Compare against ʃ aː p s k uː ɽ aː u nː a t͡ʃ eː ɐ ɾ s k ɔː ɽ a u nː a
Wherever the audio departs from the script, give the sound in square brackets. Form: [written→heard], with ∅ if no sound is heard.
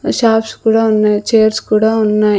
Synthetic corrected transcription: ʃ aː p s k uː ɽ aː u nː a t͡ʃ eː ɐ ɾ s k [ɔː→uː] ɽ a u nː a